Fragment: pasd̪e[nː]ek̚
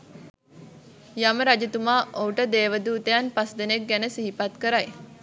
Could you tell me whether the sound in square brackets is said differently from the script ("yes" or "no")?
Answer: yes